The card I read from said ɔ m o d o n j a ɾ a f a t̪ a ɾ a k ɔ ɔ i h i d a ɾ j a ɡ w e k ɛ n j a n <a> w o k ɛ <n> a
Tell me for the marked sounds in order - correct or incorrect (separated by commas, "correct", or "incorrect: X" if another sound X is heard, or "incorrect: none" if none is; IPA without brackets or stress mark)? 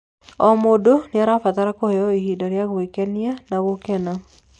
correct, correct